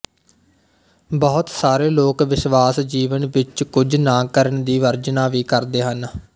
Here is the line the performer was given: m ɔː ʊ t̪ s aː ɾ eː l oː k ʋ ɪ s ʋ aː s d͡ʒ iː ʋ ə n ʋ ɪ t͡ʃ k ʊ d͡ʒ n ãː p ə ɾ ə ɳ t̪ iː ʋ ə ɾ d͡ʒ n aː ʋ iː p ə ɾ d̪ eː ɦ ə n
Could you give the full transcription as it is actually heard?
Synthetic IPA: b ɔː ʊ t̪ s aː ɾ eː l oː k ʋ ɪ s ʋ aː s d͡ʒ iː ʋ ə n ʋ ɪ t͡ʃ k ʊ d͡ʒ n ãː k ə ɾ ə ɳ d̪ iː ʋ ə ɾ d͡ʒ n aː ʋ iː k ə ɾ d̪ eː ɦ ə n

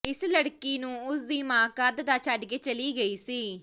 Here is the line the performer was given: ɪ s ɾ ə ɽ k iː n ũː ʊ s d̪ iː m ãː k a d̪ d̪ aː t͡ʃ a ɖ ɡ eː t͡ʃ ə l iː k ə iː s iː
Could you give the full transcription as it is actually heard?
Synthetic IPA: ɪ s l ə ɽ k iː n ũː ʊ s d̪ iː m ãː k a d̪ d̪ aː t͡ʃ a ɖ ɡ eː t͡ʃ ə l iː ɡ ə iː s iː

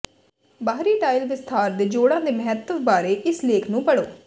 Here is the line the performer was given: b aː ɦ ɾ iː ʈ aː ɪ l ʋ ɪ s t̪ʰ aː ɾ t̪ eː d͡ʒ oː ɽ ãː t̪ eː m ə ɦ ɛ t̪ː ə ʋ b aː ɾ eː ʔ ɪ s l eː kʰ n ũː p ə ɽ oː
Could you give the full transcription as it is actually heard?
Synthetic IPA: b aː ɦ ɾ iː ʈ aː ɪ l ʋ ɪ s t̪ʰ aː ɾ d̪ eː d͡ʒ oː ɽ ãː d̪ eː m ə ɦ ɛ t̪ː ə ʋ b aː ɾ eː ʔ ɪ s l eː kʰ n ũː p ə ɽ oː

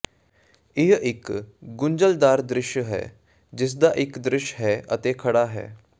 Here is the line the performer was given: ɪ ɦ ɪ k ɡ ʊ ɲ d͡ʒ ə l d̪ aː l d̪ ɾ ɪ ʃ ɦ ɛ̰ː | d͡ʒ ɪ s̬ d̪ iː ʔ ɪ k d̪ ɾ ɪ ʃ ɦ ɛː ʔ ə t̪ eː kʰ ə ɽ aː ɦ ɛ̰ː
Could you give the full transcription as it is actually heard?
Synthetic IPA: ɪ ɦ ɪ k ɡ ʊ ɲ d͡ʒ ə l d̪ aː ɾ d̪ ɾ ɪ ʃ ɦ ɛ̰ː | d͡ʒ ɪ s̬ d̪ aː ʔ ɪ k d̪ ɾ ɪ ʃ ɦ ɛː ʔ ə t̪ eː kʰ ə ɽ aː ɦ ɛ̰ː

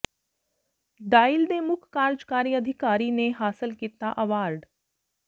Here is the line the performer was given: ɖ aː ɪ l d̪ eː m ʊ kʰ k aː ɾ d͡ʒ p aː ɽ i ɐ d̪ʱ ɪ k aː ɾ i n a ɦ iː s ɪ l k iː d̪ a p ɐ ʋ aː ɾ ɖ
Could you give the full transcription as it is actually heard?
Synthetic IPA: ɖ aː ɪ l d̪ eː m ʊ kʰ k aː ɾ d͡ʒ k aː ɾ i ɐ d̪ʱ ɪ k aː ɾ i n e ɦ aː s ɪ l k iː t̪ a ʔ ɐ ʋ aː ɾ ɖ

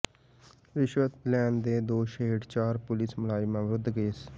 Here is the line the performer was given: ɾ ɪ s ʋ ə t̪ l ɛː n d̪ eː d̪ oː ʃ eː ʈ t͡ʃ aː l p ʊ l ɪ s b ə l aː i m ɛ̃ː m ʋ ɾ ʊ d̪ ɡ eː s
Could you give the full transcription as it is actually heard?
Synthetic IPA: ɾ ɪ ʃ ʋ ə t̪ l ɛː n d̪ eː d̪ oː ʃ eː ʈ t͡ʃ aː ɾ p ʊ l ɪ s m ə l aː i m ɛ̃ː ʋ ɾ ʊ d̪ ɡ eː s

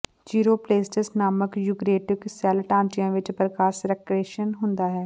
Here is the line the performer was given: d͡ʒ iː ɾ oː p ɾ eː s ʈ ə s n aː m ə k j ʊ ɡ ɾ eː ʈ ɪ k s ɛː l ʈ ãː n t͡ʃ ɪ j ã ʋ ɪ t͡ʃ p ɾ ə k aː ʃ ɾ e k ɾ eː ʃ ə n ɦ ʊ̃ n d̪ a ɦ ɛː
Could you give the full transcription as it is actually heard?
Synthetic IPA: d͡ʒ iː ɾ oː p l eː s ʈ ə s n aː m ə k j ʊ ɡ ɾ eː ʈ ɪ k s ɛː l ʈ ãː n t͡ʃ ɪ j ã ʋ ɪ t͡ʃ p ɾ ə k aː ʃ ɾ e k ɾ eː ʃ ə n ɦ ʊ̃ n d̪ a ɦ ɛː

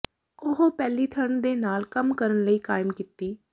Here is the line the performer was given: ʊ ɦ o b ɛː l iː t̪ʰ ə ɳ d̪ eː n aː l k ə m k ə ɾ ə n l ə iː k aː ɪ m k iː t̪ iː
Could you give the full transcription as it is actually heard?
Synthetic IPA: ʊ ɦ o p ɛː l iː t̪ʰ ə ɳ d̪ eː n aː l k ə m k ə ɾ ə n l ə iː k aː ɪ m k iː t̪ iː

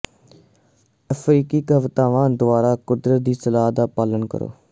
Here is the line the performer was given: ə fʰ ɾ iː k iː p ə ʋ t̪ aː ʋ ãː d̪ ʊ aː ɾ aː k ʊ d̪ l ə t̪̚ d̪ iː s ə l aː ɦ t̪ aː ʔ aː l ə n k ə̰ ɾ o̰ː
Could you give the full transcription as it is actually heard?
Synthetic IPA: ə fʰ ɾ iː k iː k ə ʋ t̪ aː ʋ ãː d̪ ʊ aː ɾ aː k ʊ d̪ ɾ ə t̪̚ d̪ iː s ə l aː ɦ d̪ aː p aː l ə n k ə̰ ɾ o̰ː

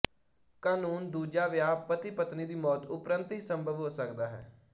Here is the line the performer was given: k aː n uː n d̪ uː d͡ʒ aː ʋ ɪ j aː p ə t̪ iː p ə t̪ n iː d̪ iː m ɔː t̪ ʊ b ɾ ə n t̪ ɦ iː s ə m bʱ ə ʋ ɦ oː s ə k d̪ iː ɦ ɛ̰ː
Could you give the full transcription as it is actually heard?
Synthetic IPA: k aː n uː n d̪ uː d͡ʒ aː ʋ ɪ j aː p ə t̪ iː p ə t̪ n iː d̪ iː m ɔː t̪ ʊ p ɾ ə n t̪ ɦ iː s ə m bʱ ə ʋ ɦ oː s ə k d̪ aː ɦ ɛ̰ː

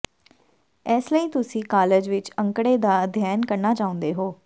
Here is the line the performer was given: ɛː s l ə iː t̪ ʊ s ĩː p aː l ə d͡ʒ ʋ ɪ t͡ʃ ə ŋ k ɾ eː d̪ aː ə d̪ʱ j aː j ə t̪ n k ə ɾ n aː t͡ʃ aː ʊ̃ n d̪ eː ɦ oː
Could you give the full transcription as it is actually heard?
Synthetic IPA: ɛː s l ə iː t̪ ʊ s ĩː k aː l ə d͡ʒ ʋ ɪ t͡ʃ ə ŋ k ɽ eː d̪ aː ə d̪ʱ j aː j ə n k ə ɾ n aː t͡ʃ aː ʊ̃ n d̪ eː ɦ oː

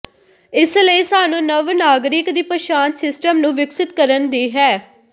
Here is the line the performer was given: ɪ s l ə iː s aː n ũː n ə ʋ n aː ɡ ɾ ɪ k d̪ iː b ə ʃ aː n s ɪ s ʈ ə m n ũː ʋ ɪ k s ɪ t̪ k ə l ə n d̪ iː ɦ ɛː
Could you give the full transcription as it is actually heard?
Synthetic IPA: ɪ s l ə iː s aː n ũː n ə ʋ n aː ɡ ɾ ɪ k d̪ iː p ə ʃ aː n s ɪ s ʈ ə m n ũː ʋ ɪ k s ɪ t̪ k ə ɾ ə n d̪ iː ɦ ɛː

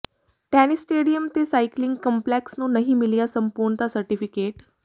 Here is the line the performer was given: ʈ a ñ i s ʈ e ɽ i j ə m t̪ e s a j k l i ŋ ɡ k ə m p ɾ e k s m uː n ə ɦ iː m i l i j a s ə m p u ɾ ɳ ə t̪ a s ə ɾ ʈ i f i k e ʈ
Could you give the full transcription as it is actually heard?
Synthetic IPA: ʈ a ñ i s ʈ e ɽ i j ə m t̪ e s a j k l i ŋ ɡ k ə m p l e k s n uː n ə ɦ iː m i l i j a s ə m p u ɾ ɳ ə t̪ a s ə ɾ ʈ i f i k e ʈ

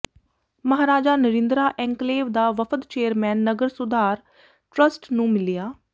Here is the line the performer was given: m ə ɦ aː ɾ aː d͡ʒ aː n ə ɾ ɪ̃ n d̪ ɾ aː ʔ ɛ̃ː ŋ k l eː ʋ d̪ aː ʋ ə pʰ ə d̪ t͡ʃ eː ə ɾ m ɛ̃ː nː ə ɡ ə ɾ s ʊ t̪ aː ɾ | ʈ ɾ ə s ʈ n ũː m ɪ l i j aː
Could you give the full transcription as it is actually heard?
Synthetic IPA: m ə ɦ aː ɾ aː d͡ʒ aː n ə ɾ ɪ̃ n d̪ ɾ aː ʔ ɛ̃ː ŋ k l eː ʋ d̪ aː ʋ ə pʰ ə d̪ t͡ʃ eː ə ɾ m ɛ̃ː nː ə ɡ ə ɾ s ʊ d̪ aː ɾ | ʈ ɾ ə s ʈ n ũː m ɪ l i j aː

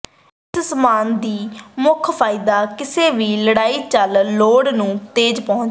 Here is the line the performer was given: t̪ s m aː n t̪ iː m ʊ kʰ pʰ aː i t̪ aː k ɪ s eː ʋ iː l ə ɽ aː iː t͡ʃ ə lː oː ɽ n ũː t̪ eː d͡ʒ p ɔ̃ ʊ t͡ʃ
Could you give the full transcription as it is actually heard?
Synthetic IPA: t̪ s m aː n d̪ iː m ʊ kʰ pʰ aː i d̪ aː k ɪ s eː ʋ iː l ə ɽ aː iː t͡ʃ ə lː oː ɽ n ũː t̪ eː d͡ʒ p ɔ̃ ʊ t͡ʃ

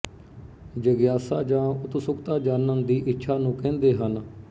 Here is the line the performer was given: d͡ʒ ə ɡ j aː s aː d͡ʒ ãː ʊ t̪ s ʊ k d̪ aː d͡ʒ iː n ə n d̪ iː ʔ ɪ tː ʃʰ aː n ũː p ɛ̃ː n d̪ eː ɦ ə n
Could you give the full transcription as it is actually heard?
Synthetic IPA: d͡ʒ ə ɡ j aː s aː d͡ʒ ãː ʊ t̪ s ʊ k t̪ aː d͡ʒ aː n ə n d̪ iː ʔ ɪ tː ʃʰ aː n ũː k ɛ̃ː n d̪ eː ɦ ə n

